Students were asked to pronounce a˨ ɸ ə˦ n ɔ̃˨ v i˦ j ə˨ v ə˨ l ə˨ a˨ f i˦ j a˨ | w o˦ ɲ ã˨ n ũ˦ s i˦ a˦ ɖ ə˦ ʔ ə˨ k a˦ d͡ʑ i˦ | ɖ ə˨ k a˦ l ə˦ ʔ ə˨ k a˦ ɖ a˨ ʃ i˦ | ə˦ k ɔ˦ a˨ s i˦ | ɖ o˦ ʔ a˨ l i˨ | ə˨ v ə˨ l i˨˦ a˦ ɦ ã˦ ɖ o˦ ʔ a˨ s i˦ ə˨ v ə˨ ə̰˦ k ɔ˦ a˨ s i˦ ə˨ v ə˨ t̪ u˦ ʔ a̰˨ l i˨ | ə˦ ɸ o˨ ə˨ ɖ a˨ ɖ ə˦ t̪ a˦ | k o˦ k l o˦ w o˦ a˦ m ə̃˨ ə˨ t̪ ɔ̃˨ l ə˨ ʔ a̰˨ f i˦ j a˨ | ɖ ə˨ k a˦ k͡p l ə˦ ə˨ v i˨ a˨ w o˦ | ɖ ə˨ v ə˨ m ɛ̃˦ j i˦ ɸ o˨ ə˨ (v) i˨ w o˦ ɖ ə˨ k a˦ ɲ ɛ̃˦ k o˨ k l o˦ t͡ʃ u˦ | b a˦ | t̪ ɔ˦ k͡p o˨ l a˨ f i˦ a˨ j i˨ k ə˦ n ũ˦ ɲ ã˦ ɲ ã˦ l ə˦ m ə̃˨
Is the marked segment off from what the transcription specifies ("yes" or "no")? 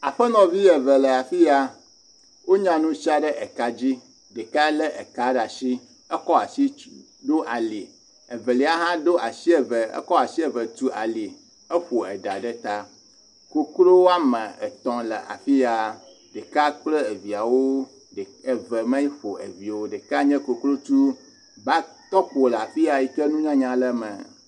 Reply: no